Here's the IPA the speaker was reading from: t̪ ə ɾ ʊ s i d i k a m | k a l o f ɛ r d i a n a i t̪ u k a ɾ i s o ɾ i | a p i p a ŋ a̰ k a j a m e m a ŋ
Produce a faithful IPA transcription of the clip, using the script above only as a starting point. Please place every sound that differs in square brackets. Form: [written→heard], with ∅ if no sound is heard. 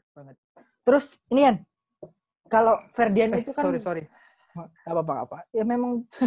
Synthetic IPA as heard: t̪ ə ɾ ʊ s i [d→n] i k a [m→n] | k a l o f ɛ r d i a n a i t̪ u k a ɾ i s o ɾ i | a p [i→a] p a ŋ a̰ [k→p] a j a m e m a ŋ